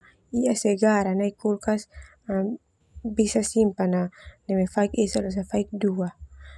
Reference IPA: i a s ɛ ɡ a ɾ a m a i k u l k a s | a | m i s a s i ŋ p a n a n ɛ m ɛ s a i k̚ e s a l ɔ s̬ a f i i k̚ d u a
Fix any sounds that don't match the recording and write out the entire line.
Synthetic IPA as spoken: i a s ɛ ɡ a ɾ a n a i k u l k a s | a | b i s a s i m p a n a n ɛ m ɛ f a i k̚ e s a l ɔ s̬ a f a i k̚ d u a